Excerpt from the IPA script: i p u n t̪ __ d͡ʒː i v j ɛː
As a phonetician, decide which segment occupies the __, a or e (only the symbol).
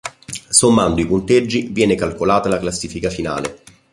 e